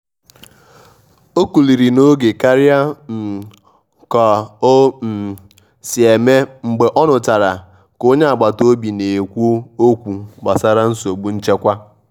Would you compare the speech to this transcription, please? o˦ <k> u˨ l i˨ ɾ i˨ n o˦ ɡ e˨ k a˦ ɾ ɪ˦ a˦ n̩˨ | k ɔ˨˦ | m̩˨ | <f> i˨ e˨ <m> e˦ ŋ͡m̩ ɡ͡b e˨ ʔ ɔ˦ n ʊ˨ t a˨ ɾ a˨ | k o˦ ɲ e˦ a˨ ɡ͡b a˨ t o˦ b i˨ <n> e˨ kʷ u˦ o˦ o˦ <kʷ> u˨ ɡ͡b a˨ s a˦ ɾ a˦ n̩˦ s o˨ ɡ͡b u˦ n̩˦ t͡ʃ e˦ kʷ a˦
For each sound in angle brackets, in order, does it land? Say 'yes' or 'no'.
yes, no, yes, yes, yes

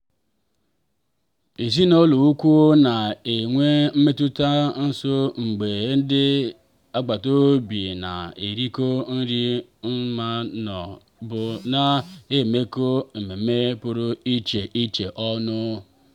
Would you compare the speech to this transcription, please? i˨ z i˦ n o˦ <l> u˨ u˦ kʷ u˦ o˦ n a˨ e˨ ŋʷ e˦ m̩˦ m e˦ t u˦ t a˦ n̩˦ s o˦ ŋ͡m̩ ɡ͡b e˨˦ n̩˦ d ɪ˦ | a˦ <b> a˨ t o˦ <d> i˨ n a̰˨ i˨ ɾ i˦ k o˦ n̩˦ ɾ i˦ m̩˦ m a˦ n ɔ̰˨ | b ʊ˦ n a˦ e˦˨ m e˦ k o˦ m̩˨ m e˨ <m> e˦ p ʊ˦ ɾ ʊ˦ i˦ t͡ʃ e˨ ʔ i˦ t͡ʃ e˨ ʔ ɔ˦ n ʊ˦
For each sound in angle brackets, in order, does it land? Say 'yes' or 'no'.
yes, no, no, yes

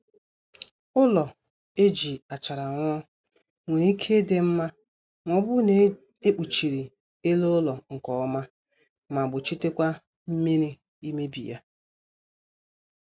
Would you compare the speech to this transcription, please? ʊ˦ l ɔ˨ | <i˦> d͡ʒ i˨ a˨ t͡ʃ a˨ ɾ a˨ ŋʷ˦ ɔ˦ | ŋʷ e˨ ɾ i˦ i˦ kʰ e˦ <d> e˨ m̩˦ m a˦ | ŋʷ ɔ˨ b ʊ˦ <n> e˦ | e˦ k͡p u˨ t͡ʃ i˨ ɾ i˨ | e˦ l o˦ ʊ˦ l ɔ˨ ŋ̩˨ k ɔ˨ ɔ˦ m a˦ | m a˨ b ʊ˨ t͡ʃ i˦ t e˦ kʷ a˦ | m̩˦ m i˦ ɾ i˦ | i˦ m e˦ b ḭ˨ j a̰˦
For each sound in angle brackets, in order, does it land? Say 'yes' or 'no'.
no, yes, yes

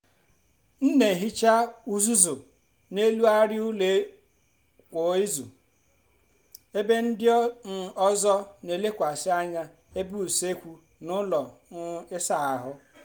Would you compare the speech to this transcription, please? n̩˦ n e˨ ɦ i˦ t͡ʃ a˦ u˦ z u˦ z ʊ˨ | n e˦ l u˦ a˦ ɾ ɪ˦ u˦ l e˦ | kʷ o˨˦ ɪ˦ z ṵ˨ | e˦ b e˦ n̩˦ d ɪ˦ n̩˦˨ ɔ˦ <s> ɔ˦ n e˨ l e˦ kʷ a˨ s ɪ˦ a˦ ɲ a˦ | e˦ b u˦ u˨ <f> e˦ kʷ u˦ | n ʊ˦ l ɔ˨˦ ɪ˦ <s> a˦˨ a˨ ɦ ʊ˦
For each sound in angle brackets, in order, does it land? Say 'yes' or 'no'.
no, no, yes

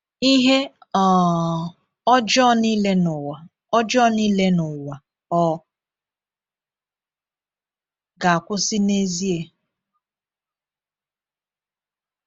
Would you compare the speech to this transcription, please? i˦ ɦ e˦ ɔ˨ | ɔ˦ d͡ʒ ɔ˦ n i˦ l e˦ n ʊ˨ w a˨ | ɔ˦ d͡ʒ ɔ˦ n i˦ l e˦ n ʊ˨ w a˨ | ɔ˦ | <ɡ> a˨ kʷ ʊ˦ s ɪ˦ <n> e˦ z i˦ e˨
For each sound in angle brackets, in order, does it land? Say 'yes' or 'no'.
yes, yes

